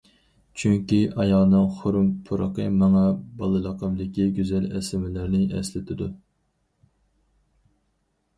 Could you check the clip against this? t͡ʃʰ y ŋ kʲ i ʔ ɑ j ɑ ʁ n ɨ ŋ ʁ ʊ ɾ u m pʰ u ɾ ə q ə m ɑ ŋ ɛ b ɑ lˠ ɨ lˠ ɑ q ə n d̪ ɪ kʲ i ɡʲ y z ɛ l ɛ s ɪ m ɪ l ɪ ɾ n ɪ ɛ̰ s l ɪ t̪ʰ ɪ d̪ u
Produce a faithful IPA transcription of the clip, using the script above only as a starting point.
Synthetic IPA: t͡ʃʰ y ŋ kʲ i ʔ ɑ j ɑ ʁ n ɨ ŋ χ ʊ ɾ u m pʰ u ɾ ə q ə m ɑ ŋ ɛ b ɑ lˠ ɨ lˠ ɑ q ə m d̪ ɪ kʲ i ɡʲ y z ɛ l ɛ s ɪ m ɪ l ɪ ɾ n ɪ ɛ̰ s l ɪ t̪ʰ ɪ d̪ u